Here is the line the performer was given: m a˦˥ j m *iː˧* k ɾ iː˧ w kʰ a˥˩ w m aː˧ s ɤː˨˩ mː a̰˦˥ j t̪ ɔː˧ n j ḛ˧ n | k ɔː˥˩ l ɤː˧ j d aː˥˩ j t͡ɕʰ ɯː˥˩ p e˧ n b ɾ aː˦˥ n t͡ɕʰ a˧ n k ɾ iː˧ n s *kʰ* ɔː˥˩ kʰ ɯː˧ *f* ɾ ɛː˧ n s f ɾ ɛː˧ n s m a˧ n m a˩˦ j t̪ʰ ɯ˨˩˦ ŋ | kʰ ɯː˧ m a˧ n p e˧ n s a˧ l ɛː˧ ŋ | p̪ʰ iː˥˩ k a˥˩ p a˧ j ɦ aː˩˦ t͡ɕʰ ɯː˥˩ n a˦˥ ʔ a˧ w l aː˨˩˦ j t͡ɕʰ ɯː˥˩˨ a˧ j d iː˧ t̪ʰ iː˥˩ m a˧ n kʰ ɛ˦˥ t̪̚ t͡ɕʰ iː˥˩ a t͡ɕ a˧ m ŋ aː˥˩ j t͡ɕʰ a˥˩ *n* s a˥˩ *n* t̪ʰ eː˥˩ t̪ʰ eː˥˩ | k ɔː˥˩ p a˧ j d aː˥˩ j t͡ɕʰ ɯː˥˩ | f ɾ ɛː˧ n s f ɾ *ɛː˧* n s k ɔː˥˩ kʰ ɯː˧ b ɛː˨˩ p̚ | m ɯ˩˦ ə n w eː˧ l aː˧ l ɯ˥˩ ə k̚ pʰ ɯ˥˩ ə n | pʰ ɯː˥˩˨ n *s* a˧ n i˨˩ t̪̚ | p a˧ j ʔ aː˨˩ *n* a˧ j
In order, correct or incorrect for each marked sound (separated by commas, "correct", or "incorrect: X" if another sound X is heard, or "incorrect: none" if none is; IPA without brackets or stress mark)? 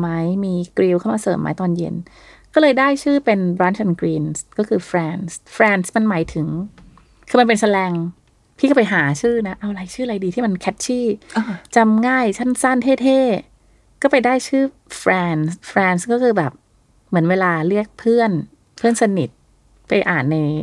correct, incorrect: k, correct, correct, correct, correct, correct, incorrect: nː